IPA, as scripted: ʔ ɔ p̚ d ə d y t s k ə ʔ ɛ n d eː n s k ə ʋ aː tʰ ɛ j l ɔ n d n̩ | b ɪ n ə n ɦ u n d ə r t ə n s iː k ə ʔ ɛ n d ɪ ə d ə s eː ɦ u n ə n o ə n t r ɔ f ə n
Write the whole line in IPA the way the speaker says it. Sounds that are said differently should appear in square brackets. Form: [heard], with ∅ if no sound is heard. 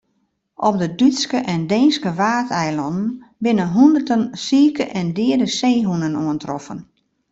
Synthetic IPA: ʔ ɔ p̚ d ə d y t s k ə ʔ ɛ n d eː n s k ə ʋ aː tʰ ɛ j l ɔ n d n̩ | b ɪ n ə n ɦ u n d ə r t ə n s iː k ə ʔ ɛ n d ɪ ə d ə s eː ɦ u n ə n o ə n t r ɔ f ə n